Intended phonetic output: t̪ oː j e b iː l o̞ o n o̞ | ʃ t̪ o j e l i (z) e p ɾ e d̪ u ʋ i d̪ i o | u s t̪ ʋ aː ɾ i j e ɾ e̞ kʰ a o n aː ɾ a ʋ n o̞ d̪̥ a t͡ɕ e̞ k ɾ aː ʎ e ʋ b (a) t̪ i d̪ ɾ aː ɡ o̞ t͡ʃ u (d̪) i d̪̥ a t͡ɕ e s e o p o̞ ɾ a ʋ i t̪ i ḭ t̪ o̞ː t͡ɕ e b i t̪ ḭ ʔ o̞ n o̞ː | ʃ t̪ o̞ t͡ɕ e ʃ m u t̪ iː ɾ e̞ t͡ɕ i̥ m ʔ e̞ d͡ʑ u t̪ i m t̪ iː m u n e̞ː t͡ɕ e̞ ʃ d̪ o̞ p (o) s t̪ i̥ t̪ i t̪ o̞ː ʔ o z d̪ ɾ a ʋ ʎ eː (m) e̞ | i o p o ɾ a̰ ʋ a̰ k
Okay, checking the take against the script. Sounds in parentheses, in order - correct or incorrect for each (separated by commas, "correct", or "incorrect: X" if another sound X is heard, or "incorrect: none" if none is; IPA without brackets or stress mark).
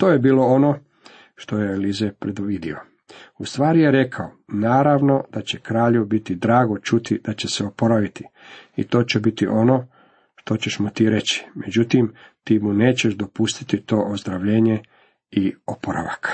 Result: correct, incorrect: i, incorrect: t̪, incorrect: u, incorrect: ɲ